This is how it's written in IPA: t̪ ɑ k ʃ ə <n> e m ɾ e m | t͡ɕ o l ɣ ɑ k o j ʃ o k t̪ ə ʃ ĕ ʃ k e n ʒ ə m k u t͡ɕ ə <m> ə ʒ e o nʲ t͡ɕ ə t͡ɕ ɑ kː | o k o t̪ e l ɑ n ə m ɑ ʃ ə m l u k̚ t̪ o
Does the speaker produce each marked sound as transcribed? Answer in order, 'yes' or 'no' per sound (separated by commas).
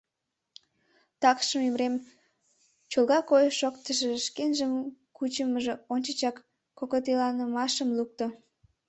no, yes